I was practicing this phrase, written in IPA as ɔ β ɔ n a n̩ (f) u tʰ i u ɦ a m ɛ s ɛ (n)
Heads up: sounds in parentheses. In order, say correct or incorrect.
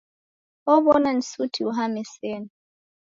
incorrect, correct

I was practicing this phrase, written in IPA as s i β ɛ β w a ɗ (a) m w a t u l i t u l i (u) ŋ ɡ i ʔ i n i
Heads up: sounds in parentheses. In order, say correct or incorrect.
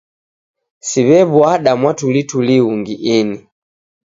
correct, correct

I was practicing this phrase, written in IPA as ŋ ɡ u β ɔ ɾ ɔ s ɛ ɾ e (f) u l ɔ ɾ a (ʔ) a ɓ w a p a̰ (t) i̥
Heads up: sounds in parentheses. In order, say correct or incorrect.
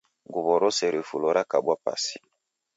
correct, incorrect, incorrect

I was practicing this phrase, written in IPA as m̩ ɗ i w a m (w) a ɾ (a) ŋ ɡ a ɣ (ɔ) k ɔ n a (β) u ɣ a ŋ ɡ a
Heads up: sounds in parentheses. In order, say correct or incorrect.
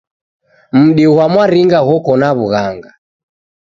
correct, incorrect, correct, correct

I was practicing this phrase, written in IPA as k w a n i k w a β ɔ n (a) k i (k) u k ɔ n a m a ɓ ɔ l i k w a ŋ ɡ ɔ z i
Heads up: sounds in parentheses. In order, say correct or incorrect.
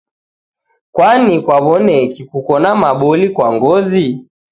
incorrect, correct

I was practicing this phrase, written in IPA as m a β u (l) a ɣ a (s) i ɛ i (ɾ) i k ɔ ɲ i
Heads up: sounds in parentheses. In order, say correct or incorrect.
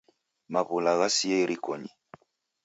correct, correct, correct

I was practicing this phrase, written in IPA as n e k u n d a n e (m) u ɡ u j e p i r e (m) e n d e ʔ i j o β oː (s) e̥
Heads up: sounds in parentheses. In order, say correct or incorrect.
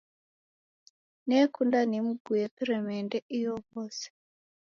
correct, correct, correct

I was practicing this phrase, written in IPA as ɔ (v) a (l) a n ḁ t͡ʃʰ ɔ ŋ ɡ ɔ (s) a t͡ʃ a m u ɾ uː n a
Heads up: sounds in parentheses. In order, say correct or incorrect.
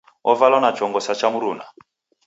correct, correct, correct

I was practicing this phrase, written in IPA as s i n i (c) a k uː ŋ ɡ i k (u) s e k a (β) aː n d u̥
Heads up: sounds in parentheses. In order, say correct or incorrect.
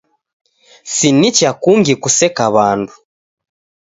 correct, correct, correct

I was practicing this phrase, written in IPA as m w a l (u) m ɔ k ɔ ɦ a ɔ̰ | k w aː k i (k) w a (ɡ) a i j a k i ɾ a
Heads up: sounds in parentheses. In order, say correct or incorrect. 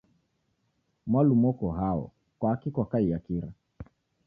correct, correct, incorrect

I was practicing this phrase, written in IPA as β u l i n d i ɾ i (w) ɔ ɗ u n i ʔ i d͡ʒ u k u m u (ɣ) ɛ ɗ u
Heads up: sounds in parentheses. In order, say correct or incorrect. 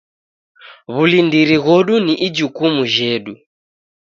incorrect, incorrect

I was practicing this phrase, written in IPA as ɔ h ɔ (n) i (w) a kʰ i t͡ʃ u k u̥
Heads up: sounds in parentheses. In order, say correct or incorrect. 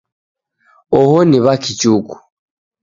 correct, incorrect

